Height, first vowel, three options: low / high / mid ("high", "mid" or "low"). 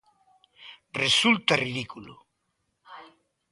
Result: mid